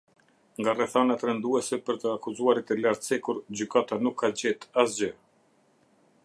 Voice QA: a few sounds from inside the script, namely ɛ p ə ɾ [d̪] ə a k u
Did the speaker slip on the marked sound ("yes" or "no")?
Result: yes